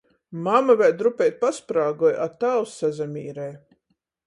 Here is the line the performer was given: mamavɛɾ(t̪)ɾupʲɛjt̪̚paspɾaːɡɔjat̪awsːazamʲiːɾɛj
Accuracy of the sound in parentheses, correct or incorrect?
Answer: incorrect